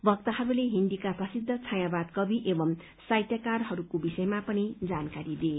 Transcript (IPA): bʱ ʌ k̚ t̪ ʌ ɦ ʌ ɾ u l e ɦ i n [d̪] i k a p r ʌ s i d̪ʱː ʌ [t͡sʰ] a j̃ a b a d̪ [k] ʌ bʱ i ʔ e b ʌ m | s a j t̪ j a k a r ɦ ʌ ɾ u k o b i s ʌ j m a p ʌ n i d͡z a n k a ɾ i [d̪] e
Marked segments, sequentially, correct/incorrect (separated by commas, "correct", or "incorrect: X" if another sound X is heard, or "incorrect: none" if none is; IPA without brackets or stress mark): correct, correct, correct, correct